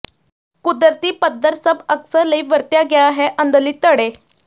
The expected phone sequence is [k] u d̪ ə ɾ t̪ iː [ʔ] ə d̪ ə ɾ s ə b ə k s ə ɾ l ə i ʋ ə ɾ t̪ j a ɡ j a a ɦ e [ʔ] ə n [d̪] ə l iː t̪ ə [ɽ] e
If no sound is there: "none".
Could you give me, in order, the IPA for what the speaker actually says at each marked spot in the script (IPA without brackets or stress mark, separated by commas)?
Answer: k, p, ʔ, d̪, ɽ